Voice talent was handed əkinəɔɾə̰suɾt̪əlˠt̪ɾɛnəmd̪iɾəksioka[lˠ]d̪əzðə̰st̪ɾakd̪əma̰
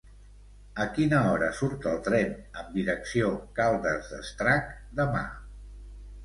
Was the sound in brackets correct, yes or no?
yes